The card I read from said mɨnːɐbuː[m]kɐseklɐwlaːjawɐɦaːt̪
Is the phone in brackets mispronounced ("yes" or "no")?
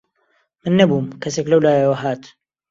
no